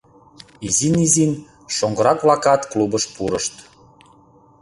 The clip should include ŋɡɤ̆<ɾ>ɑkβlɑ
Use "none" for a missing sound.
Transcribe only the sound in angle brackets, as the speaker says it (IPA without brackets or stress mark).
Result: ɾ